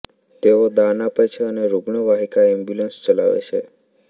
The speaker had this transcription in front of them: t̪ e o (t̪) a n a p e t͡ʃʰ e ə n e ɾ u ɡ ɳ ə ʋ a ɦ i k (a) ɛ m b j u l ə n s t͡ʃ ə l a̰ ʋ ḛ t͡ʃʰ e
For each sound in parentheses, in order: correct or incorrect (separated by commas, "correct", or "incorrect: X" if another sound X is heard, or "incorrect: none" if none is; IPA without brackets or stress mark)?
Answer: incorrect: d̪, correct